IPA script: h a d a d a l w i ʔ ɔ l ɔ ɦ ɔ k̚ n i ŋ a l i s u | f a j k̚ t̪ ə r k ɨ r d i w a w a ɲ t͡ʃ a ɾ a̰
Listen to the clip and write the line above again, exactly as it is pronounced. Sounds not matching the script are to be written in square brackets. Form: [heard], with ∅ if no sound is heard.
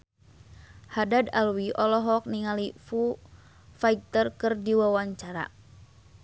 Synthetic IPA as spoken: h a d a d a l w i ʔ ɔ l ɔ ɦ ɔ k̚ n i ŋ a l i [f] u | f a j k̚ t̪ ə r k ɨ r d i w a w a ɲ t͡ʃ a ɾ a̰